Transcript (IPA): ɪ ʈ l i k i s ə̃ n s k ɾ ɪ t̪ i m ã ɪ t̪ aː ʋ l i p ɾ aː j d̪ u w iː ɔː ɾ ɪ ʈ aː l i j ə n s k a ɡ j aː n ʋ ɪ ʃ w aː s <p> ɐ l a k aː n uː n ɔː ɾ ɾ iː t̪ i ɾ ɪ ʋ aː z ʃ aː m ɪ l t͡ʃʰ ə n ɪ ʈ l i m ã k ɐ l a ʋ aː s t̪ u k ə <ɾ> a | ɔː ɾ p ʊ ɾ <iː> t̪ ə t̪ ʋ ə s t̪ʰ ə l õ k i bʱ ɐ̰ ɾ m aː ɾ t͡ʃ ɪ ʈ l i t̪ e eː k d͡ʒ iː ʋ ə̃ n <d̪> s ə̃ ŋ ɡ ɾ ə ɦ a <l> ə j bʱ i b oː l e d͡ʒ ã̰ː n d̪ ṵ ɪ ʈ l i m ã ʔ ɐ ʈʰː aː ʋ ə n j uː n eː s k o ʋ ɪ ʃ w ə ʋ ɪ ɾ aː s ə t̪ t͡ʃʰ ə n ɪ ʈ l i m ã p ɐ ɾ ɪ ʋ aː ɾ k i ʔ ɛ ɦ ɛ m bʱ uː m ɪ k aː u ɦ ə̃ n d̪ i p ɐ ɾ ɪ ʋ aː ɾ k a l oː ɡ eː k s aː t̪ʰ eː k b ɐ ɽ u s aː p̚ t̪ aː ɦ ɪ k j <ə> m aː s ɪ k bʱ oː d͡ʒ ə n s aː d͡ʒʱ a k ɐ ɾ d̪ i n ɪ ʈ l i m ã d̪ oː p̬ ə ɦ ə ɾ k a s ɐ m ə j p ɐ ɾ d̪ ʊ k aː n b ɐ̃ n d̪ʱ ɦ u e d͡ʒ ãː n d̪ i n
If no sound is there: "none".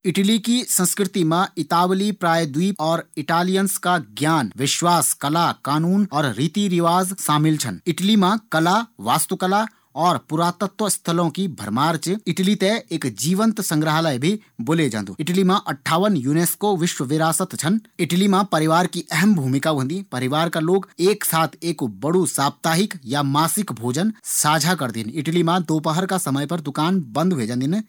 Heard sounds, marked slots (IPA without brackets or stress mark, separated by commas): k, l, aː, t̪, l, a